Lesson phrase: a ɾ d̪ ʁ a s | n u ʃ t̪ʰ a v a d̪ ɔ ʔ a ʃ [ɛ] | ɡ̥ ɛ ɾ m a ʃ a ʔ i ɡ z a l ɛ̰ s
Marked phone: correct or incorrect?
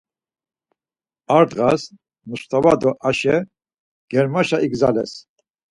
correct